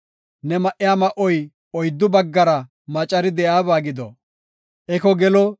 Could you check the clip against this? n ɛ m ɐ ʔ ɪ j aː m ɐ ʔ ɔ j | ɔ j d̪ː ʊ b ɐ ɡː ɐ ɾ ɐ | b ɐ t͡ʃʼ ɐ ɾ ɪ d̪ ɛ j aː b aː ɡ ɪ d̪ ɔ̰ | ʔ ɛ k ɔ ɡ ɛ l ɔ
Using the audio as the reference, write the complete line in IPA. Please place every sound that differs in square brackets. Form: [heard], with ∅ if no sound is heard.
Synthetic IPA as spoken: n ɛ m ɐ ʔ ɪ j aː m ɐ ʔ ɔ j | ɔ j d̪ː ʊ b ɐ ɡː ɐ ɾ ɐ | [m] ɐ t͡ʃʼ ɐ ɾ ɪ d̪ ɛ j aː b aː ɡ ɪ d̪ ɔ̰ | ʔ ɛ k ɔ ɡ ɛ l ɔ